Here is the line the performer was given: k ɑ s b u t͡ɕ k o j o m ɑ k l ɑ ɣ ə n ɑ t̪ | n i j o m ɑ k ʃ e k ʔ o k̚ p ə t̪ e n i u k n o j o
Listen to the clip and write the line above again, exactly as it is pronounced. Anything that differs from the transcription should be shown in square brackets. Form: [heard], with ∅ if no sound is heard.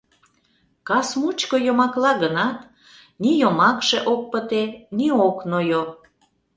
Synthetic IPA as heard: k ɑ s [m] u t͡ɕ k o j o m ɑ k l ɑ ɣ ə n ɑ t̪ | n i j o m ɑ k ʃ e [∅] ʔ o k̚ p ə t̪ e n i [o] k n o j o

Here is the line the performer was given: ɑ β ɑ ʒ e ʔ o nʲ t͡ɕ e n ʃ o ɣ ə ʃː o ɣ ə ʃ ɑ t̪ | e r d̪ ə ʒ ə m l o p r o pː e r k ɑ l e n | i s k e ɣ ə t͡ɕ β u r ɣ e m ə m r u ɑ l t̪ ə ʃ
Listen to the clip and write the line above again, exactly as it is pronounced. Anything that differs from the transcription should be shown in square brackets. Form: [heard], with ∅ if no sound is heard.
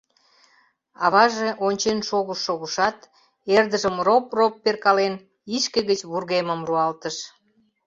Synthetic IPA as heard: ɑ β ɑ ʒ e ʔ o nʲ t͡ɕ e n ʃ o ɣ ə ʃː o ɣ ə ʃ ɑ t̪ | e r d̪ ə ʒ ə m [r] o p r o pː e r k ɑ l e n | i [ʃ] k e ɣ ə t͡ɕ β u r ɣ e m ə m r u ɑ l t̪ ə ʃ

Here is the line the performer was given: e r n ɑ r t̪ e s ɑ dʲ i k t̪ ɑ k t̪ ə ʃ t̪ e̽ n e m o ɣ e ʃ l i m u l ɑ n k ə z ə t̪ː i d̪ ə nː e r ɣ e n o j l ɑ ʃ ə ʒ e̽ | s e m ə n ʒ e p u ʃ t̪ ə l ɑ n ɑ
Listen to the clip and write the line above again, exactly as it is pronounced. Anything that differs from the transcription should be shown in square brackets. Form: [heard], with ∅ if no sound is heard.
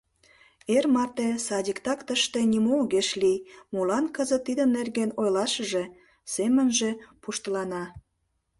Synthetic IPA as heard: e r [m] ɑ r t̪ e s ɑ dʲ i k t̪ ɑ k t̪ ə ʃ t̪ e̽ n [i] m o ɣ e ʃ l i m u l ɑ n k ə z ə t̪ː i d̪ ə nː e r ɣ e n o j l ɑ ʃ ə ʒ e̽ | s e m ə n ʒ e p u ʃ t̪ ə l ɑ n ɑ

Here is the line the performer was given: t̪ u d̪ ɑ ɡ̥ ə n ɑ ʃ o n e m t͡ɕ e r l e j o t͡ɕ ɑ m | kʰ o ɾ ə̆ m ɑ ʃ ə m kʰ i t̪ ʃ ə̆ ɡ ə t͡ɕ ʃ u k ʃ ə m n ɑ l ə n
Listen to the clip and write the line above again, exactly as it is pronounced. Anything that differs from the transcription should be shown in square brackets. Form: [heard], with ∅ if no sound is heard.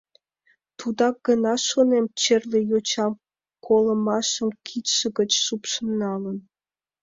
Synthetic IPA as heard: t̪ u d̪ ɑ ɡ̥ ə n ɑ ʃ o n e m t͡ɕ e r l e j o t͡ɕ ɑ m | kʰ o [l] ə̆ m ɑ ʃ ə m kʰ i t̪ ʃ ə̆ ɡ ə t͡ɕ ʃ u [p] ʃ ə m n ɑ l ə n

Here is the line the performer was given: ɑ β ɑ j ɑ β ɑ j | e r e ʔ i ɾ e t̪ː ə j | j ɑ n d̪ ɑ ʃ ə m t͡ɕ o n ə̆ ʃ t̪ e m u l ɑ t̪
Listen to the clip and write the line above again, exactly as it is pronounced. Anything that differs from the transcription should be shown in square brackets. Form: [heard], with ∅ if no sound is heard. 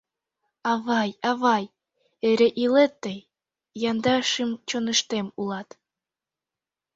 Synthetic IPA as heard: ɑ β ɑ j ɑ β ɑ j | e [ɾ] e ʔ i [l] e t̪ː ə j | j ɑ n d̪ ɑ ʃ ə m t͡ɕ o n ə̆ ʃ t̪ e m u l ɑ t̪

